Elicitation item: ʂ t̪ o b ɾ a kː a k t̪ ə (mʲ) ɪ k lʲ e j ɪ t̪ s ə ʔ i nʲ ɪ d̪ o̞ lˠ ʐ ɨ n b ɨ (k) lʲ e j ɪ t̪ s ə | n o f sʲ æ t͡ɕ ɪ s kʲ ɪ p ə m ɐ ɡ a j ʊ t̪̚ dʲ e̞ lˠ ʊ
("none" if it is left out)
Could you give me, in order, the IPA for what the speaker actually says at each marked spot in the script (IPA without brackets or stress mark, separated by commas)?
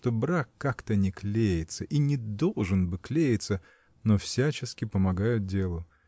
nʲ, k